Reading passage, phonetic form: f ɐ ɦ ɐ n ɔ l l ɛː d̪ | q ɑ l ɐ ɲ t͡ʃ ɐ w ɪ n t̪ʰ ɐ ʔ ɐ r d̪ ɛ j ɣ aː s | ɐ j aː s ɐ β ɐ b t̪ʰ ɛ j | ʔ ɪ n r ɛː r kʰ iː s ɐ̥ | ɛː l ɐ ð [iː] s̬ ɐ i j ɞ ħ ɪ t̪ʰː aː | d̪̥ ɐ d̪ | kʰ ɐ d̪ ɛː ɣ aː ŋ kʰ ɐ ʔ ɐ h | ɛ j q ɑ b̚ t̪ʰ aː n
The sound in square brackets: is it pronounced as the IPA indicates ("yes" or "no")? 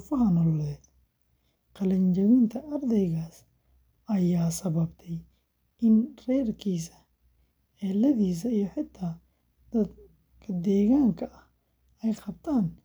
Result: yes